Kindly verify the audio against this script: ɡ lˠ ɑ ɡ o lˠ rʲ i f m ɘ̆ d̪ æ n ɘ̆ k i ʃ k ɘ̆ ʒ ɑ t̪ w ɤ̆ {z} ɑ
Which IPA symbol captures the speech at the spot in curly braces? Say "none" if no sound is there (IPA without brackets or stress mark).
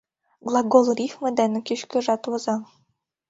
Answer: z